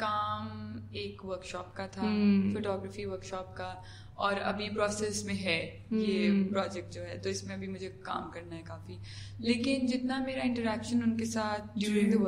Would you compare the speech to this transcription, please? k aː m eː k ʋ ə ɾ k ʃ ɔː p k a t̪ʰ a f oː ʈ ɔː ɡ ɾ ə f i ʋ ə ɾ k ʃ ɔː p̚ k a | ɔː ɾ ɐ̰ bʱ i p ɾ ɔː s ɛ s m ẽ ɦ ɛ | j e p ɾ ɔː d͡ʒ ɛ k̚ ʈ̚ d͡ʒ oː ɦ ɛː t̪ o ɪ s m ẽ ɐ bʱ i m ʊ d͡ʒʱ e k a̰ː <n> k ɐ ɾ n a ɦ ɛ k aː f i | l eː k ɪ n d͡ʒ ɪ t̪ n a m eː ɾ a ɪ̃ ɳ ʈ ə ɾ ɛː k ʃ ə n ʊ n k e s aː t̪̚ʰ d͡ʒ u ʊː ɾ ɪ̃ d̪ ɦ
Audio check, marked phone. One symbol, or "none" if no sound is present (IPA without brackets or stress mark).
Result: m